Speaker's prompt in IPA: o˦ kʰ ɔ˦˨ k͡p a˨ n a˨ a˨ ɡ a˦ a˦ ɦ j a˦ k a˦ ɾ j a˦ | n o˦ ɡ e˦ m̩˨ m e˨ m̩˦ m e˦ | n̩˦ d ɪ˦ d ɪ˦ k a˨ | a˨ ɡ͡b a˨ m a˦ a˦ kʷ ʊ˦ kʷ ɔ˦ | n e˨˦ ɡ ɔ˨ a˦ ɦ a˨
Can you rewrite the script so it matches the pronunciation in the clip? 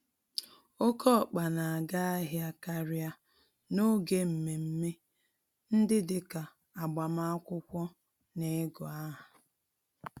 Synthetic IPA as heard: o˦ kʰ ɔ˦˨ k͡p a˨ n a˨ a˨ ɡ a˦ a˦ ɦ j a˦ k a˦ ɾ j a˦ | n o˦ ɡ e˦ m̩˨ m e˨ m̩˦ m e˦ | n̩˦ d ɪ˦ d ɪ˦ k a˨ | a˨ ɡ͡b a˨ m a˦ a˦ kʷ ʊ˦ kʷ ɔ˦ | n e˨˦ ɡ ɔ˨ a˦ ɦ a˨

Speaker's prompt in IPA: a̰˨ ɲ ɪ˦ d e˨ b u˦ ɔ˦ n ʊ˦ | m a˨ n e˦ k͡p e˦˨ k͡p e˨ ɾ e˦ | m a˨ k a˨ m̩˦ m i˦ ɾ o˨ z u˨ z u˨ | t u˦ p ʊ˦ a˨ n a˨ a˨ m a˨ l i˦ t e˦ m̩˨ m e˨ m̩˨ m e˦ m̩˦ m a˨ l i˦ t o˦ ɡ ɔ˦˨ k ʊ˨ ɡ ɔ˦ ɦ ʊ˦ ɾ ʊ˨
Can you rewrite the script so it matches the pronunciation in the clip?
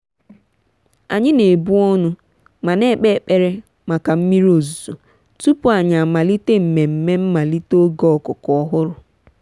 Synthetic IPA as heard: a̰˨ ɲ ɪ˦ n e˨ b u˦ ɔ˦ n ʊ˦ | m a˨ n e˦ k͡p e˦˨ k͡p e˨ ɾ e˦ | m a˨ k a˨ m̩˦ m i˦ ɾ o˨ z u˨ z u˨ | t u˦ p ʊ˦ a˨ ɲ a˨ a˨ m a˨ l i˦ t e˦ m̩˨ m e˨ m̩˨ m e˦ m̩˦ m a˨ l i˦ t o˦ ɡ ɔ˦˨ k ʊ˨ k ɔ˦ ɦ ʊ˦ ɾ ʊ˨

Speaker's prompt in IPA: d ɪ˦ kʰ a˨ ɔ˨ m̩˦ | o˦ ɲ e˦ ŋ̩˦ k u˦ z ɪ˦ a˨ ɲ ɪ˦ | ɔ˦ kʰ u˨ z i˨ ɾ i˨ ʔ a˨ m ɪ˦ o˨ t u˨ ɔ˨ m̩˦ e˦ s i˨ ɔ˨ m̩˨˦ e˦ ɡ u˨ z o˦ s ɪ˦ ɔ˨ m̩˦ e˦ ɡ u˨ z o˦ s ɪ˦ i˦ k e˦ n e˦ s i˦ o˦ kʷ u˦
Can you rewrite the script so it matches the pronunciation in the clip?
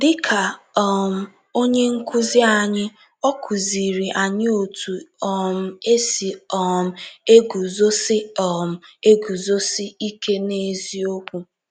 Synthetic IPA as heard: d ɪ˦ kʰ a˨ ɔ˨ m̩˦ | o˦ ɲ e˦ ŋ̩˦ k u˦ z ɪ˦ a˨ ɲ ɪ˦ | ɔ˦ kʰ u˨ z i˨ ɾ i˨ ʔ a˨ ɲ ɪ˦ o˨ t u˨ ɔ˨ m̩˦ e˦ s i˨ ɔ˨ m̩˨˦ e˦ ɡ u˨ z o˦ s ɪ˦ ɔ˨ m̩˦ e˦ ɡ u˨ z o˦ s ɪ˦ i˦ k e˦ n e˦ z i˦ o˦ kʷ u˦

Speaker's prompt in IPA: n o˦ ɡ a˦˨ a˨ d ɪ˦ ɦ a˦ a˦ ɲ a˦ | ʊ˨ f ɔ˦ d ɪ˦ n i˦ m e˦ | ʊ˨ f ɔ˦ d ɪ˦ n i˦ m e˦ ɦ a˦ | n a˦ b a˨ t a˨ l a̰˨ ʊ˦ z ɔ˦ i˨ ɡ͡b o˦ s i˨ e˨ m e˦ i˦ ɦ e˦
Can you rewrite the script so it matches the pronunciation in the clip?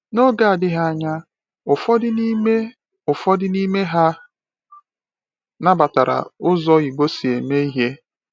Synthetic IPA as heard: n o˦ ɡ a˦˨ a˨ d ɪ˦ ɦ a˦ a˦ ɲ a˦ | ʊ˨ f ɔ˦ d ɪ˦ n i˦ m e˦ | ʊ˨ f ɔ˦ d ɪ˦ n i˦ m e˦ ɦ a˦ | n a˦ b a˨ t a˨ ɾ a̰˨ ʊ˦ z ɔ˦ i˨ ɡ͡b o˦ s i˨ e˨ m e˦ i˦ ɦ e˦

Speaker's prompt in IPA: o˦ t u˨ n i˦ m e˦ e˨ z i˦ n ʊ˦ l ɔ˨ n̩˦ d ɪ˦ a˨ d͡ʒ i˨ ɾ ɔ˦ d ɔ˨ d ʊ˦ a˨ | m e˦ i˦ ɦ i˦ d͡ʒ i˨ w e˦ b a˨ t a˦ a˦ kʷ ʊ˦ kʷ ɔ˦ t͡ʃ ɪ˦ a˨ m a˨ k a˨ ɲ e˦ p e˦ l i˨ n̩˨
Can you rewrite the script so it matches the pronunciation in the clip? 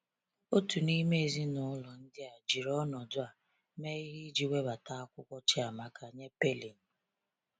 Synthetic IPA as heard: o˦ t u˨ n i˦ m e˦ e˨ z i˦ n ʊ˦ l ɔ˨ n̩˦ d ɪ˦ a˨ d͡ʒ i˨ ɾ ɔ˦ n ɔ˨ d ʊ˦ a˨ | m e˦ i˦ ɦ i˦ d͡ʒ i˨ w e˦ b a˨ t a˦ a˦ kʷ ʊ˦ kʷ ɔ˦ t͡ʃ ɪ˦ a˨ m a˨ k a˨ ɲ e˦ p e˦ l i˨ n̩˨

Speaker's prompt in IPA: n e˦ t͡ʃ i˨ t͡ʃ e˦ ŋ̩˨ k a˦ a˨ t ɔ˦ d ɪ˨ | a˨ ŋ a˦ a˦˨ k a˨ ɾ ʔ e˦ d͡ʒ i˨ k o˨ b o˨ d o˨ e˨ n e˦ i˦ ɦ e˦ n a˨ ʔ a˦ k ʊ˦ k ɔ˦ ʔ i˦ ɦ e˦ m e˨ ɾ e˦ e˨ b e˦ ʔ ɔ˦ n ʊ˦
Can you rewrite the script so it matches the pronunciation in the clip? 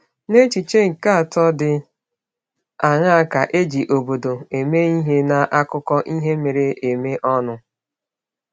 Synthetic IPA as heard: n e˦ t͡ʃ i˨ t͡ʃ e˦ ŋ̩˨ k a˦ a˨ t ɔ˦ d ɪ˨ | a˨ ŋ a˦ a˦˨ k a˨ ʔ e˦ d͡ʒ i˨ ʔ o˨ b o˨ d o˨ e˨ m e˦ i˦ ɦ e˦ n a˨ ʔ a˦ k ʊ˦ k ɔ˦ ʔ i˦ ɦ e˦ m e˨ ɾ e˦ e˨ m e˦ ʔ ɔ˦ n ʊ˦

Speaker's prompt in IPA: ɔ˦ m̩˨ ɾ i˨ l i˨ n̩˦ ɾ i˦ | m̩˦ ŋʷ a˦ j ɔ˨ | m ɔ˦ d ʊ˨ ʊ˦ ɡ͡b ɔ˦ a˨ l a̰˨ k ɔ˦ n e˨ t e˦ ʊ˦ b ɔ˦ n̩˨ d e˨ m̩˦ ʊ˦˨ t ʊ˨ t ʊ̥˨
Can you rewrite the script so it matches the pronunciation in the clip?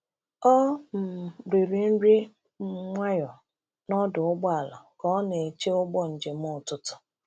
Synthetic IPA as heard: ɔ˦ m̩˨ ɾ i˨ ɾ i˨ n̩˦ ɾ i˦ | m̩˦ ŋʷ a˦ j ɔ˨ | n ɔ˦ d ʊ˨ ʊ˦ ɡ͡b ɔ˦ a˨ l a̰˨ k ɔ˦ n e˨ t͡ʃ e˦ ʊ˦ ɡ͡b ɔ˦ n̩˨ d͡ʒ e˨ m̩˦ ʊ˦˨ t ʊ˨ t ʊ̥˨

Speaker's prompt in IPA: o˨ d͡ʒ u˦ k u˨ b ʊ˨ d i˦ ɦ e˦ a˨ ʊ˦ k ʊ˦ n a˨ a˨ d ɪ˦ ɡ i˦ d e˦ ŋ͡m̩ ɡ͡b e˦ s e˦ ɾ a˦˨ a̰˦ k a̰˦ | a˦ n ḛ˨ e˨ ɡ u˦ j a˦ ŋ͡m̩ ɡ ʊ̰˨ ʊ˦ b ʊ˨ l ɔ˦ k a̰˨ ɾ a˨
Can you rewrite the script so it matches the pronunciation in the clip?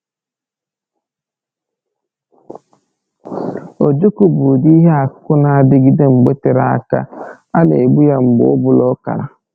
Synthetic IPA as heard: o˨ d͡ʒ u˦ k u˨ b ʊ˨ d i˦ ɦ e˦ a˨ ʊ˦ k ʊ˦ n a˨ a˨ d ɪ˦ ɡ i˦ d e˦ ŋ͡m̩ ɡ͡b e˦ t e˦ ɾ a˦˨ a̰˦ k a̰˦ | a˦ n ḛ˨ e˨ ɡ͡b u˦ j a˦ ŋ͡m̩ ɡ͡b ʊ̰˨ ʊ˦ b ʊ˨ l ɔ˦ k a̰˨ ɾ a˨

